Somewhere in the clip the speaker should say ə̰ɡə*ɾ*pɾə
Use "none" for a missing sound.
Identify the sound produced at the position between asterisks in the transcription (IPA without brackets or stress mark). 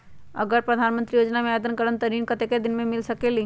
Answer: ɾ